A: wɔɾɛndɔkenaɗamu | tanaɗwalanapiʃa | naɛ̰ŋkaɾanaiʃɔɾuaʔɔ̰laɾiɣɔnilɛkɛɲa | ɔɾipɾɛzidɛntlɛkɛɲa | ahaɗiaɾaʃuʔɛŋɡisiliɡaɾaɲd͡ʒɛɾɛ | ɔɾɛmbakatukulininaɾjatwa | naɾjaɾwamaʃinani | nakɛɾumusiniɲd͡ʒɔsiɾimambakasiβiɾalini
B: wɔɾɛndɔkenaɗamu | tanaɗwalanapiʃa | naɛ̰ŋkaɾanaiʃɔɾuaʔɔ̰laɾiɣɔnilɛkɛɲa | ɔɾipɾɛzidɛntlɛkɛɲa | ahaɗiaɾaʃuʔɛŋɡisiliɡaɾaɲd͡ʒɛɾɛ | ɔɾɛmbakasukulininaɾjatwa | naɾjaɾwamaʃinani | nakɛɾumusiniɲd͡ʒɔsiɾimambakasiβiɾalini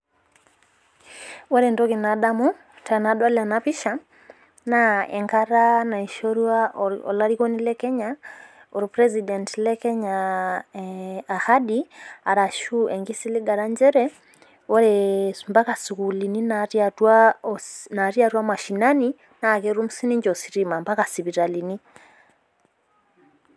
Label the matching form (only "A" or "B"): B